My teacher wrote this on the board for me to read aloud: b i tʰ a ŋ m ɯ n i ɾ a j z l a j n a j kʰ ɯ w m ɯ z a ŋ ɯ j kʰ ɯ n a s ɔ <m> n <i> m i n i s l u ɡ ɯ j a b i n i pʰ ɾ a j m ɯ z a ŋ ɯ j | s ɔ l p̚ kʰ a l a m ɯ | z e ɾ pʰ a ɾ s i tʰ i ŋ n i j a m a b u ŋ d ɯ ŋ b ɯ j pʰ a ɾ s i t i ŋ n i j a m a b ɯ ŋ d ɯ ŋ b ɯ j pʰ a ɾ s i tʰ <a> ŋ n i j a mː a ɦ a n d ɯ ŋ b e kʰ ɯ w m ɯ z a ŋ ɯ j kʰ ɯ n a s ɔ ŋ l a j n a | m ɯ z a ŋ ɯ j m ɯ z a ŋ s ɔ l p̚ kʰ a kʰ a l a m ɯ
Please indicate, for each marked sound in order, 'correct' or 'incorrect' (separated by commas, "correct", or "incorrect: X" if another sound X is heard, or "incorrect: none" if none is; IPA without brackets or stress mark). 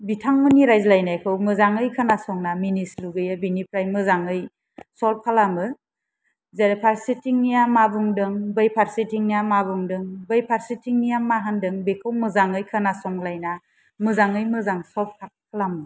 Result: incorrect: ŋ, incorrect: a, incorrect: i